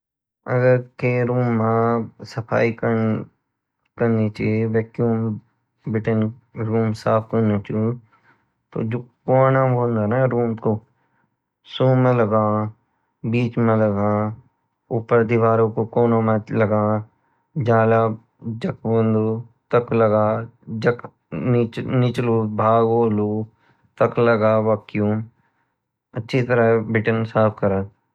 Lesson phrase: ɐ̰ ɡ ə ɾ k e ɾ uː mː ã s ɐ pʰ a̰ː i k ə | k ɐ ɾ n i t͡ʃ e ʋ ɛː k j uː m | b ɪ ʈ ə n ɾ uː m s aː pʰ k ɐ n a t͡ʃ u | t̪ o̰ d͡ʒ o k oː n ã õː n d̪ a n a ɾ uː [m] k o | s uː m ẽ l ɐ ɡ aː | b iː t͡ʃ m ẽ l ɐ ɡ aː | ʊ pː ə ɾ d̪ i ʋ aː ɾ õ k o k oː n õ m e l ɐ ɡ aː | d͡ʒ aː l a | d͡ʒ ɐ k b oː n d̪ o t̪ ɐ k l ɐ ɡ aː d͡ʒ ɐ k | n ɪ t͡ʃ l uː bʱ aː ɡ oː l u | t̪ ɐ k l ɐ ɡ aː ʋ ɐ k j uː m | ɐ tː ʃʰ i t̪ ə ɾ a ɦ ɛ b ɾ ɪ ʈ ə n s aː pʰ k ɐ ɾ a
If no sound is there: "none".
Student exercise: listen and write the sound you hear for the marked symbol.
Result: m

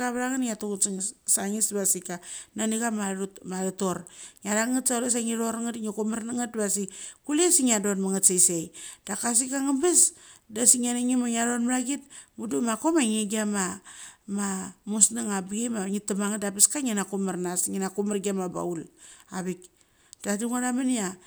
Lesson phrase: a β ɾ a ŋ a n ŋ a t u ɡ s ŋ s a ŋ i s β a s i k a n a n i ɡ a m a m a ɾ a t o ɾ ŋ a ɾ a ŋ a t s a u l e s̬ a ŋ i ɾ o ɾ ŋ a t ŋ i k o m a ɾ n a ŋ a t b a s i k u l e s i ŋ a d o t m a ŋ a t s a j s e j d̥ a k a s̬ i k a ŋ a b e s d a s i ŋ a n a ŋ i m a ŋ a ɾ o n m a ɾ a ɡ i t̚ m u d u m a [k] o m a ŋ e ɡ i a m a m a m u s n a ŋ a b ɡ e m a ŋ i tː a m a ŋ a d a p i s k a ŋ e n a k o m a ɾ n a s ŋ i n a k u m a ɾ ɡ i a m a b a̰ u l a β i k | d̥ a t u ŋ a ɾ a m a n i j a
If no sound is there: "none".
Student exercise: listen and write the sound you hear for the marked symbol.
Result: k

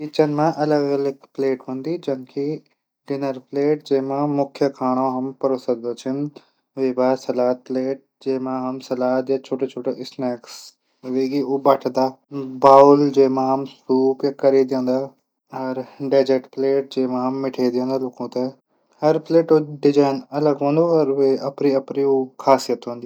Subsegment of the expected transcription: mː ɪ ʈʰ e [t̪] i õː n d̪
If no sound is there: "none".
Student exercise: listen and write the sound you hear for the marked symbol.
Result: d̪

